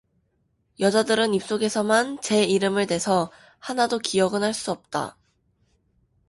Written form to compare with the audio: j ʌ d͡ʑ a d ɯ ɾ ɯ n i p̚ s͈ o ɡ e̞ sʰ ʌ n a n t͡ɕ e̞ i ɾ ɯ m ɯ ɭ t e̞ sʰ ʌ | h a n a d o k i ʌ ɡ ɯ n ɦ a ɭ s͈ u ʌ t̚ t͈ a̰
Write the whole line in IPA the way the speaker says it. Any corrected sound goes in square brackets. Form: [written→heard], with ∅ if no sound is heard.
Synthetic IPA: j ʌ d͡ʑ a d ɯ ɾ ɯ n i p̚ s͈ o ɡ e̞ sʰ ʌ [n→m] a n t͡ɕ e̞ i ɾ ɯ m ɯ ɭ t e̞ sʰ ʌ | h a n a d o k i ʌ ɡ ɯ n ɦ a ɭ s͈ u ʌ [t̚→p̚] t͈ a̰